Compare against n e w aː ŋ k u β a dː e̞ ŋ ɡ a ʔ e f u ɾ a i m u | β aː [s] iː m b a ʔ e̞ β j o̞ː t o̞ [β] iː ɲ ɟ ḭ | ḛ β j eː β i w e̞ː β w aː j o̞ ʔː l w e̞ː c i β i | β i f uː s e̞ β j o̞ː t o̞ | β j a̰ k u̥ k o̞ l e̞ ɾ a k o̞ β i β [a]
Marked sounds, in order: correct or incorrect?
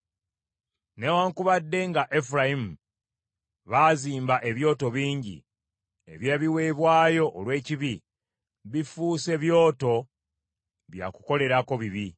incorrect: z, correct, incorrect: i

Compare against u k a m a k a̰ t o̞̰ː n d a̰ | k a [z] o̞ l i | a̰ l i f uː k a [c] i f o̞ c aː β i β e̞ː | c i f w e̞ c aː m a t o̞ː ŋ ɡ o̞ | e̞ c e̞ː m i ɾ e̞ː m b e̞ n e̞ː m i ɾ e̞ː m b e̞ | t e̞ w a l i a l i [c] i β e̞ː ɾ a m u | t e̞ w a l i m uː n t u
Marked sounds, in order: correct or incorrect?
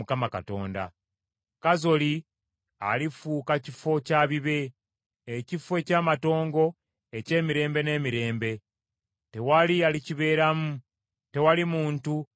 correct, correct, correct

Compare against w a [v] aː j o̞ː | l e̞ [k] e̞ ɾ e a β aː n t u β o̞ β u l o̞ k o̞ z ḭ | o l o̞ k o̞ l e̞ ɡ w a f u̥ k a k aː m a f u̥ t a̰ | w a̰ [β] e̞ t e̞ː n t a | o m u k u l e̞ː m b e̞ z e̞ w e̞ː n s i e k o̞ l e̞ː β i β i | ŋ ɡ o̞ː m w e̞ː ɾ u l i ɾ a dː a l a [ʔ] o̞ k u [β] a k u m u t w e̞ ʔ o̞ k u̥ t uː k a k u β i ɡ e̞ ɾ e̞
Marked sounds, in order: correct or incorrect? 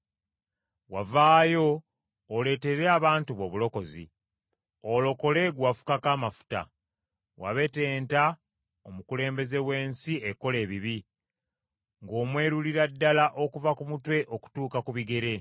correct, incorrect: t, correct, correct, incorrect: v

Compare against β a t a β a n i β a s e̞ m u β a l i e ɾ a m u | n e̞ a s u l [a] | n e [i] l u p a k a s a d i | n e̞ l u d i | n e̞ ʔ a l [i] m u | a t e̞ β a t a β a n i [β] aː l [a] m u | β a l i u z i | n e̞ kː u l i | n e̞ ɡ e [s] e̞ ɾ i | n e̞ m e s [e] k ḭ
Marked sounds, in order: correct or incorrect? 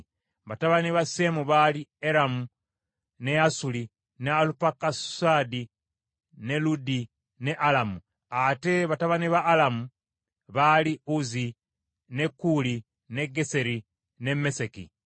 incorrect: i, incorrect: a, incorrect: a, correct, correct, correct, correct

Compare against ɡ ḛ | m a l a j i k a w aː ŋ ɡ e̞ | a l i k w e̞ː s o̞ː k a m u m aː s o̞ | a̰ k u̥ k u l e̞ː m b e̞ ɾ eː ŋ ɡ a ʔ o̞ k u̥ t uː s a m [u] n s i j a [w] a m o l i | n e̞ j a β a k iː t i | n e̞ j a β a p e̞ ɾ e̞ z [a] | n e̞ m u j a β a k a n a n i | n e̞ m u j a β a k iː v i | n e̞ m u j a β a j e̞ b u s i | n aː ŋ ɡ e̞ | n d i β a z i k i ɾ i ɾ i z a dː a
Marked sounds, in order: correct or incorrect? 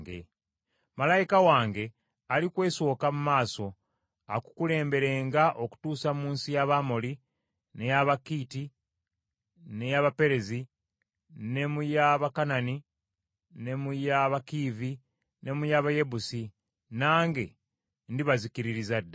incorrect: uː, incorrect: β, incorrect: i

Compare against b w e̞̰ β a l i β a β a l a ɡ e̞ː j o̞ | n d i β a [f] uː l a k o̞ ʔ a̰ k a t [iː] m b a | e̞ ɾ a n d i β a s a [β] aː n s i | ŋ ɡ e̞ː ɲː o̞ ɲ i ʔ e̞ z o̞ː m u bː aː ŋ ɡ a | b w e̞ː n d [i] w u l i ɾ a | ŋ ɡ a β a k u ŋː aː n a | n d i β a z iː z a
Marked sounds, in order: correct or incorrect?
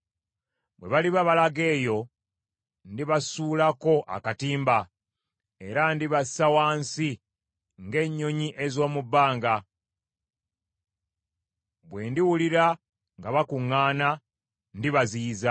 incorrect: s, correct, incorrect: w, correct

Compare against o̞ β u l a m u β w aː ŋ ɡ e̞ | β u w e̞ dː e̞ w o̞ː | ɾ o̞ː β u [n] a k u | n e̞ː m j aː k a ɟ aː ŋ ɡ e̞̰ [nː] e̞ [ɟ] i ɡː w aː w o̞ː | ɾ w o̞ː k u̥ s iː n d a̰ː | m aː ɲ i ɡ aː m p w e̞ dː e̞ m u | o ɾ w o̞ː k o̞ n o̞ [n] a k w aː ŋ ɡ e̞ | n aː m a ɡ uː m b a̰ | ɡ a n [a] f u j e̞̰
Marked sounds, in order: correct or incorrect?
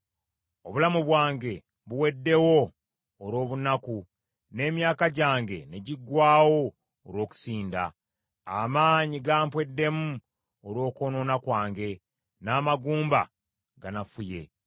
correct, incorrect: n, correct, correct, correct

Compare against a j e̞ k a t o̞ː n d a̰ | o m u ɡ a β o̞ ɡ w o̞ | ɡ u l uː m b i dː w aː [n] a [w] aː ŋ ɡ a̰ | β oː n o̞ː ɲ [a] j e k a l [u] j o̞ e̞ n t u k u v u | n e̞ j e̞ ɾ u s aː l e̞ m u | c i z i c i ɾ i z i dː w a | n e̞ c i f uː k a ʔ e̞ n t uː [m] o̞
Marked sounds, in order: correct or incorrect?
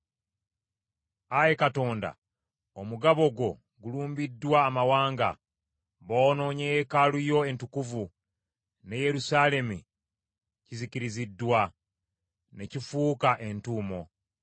incorrect: m, correct, incorrect: e, correct, correct

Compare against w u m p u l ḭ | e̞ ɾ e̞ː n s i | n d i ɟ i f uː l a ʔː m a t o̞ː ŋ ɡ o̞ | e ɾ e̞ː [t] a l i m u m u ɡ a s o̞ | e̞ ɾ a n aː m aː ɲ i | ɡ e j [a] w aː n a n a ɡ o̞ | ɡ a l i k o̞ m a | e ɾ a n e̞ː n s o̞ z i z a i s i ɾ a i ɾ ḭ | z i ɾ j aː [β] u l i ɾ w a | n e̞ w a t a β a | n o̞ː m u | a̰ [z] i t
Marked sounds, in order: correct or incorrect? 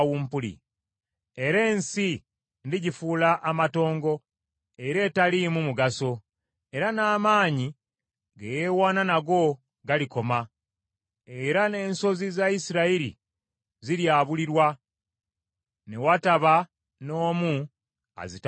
correct, incorrect: e, correct, correct

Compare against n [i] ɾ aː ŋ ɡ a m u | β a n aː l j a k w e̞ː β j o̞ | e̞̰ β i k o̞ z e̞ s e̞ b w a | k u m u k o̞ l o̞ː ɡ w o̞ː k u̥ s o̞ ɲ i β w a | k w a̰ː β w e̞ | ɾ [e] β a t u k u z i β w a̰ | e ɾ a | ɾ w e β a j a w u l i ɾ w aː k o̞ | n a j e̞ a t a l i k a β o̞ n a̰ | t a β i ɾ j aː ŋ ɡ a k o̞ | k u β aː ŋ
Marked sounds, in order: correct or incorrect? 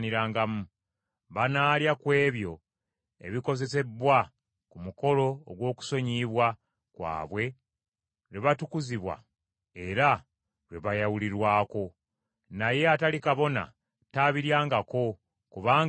correct, correct

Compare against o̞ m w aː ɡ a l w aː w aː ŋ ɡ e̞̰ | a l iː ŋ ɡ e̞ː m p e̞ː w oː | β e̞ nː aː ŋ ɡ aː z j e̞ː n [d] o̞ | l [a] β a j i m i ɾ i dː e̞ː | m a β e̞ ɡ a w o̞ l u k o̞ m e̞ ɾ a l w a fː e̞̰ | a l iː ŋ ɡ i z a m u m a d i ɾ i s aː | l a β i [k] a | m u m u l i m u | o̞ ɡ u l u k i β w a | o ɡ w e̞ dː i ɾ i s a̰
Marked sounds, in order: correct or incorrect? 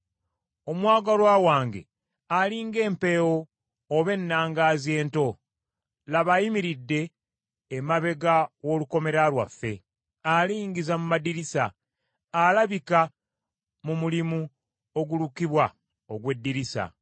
incorrect: t, correct, correct

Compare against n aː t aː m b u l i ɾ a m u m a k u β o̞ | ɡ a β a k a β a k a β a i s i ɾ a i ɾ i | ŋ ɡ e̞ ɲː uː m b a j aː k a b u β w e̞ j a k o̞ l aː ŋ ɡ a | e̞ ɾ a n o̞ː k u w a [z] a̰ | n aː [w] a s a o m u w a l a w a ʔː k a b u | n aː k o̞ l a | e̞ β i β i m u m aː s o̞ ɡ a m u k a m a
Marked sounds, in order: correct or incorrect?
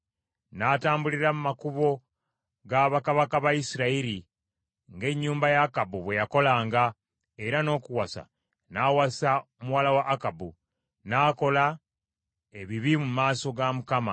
incorrect: s, correct

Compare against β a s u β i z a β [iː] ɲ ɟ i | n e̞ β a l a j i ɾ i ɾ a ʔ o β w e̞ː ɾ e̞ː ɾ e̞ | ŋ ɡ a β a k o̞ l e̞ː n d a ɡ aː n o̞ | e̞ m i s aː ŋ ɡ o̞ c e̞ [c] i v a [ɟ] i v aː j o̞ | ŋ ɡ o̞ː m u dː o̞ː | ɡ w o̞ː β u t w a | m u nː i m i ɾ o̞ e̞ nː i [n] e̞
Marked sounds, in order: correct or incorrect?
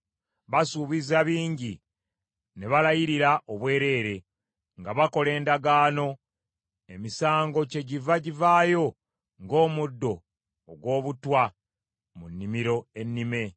correct, incorrect: ɟ, correct, incorrect: m

